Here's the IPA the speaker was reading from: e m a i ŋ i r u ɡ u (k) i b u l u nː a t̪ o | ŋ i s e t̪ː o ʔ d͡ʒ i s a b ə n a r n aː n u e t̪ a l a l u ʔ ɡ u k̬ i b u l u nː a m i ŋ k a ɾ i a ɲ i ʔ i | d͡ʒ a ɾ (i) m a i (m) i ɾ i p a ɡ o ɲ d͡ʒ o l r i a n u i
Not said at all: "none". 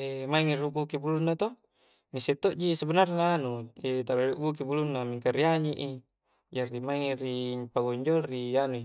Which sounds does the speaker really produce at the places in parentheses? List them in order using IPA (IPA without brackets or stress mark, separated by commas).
k, i, ŋ